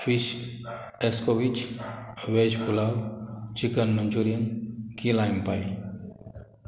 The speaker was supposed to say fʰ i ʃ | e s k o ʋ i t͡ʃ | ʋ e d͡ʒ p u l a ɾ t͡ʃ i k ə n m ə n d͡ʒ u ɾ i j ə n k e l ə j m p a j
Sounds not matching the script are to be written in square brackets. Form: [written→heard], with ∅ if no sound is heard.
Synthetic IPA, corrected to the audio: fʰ i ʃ | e s k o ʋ i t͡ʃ | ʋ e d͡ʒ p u l a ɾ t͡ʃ i k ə n m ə n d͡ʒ u ɾ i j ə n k [e→i] l [ə→a] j m p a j